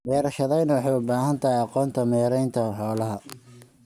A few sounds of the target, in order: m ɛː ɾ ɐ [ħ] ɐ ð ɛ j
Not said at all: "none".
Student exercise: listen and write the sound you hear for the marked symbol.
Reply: ʃ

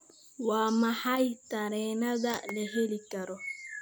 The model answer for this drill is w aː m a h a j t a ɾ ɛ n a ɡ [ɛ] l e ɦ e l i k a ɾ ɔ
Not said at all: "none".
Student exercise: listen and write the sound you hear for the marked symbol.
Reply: a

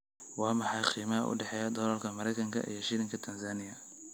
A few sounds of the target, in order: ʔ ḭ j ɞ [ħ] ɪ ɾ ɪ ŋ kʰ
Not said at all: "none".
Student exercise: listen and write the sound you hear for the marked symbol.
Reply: ʃ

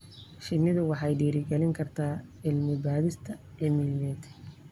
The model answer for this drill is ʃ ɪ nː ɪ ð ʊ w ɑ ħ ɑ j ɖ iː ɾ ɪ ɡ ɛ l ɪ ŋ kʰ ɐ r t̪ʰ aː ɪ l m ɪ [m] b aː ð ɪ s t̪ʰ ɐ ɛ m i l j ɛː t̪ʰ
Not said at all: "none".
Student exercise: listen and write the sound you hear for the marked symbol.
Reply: none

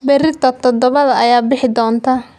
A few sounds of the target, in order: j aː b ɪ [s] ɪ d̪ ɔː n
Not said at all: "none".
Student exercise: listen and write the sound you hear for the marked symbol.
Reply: ħ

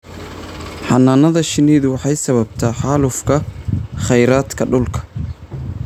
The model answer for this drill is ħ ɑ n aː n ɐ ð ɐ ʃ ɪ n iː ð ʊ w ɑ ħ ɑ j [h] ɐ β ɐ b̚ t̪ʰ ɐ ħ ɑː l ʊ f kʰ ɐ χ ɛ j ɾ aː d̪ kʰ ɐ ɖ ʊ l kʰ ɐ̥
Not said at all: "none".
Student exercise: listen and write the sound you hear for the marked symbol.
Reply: s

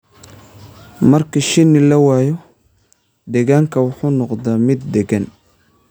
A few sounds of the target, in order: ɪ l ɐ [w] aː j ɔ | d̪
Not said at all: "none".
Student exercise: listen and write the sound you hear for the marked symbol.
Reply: w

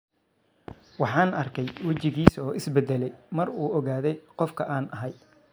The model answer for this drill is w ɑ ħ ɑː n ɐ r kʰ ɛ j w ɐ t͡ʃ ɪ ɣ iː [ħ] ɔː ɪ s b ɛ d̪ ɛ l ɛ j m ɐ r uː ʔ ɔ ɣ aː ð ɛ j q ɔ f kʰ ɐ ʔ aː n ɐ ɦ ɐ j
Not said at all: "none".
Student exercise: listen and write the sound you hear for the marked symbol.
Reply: s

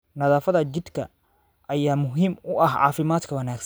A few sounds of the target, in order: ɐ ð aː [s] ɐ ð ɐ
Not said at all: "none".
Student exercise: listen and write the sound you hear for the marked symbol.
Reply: f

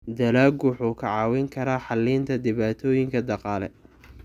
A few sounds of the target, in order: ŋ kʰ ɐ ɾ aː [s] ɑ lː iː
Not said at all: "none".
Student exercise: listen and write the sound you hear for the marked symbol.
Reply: ħ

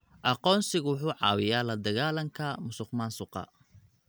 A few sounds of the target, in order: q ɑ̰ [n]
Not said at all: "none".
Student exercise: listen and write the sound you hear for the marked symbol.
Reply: none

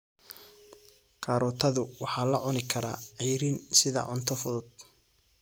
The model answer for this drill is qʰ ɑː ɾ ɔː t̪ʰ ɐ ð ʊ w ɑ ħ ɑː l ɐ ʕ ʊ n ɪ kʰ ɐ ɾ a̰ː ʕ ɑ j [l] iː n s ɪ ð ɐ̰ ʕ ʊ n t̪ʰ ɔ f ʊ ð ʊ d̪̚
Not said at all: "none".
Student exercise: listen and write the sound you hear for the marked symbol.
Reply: ɾ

